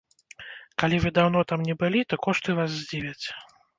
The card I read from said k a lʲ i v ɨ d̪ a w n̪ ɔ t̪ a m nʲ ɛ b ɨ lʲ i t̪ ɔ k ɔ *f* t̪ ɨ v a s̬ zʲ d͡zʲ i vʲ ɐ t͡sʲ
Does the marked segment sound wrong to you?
yes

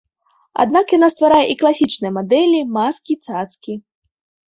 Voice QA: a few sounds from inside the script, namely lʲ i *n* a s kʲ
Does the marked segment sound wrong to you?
yes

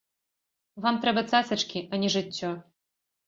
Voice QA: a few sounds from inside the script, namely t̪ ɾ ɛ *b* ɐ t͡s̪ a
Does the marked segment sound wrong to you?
no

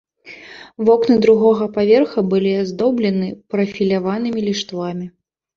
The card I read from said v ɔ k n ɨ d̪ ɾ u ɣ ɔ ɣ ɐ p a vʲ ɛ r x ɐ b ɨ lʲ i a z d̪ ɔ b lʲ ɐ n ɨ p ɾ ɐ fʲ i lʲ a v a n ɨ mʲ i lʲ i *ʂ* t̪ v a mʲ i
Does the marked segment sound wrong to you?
no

